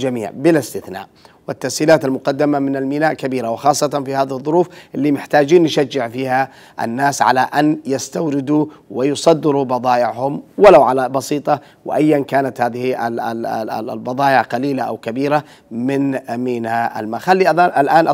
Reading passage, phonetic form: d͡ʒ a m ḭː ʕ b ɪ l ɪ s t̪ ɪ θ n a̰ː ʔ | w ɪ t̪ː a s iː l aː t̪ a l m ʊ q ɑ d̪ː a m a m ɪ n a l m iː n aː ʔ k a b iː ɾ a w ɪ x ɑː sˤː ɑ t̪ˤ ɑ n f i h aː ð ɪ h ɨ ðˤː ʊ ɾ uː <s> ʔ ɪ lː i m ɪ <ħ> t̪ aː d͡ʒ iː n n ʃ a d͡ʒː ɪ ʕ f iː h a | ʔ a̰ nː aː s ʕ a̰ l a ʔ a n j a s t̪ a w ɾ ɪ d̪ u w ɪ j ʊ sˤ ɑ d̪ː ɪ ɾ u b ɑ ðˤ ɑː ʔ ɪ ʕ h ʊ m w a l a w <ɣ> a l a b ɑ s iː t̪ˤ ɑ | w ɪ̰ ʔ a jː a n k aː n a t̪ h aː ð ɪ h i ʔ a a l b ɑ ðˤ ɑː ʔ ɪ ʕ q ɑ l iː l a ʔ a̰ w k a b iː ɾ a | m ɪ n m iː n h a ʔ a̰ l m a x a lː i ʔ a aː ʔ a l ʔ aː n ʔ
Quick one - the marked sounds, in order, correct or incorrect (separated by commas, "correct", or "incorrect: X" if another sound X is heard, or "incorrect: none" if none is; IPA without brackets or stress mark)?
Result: incorrect: f, correct, incorrect: ʕ